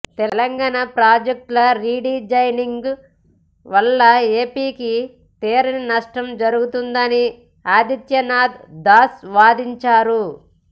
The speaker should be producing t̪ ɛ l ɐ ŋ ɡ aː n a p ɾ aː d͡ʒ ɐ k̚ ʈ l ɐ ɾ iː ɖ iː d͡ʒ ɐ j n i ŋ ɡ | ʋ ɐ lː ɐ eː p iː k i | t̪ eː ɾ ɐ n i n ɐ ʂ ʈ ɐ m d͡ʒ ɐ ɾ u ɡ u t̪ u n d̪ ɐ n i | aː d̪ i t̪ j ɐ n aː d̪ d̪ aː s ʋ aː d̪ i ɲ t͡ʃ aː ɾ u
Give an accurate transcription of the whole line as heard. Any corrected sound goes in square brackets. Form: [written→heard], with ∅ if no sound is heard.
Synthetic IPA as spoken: t̪ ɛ l ɐ ŋ ɡ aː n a p ɾ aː d͡ʒ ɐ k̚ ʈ l ɐ ɾ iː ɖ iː d͡ʒ ɐ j n i ŋ ɡ | ʋ ɐ lː ɐ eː p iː k i | t̪ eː ɾ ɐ n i n ɐ ʂ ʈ ɐ m d͡ʒ ɐ ɾ u ɡ u t̪ u n d̪ ɐ n i | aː d̪ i t̪ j ɐ n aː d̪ d̪ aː s ʋ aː d̪ i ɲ t͡ʃ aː ɾ u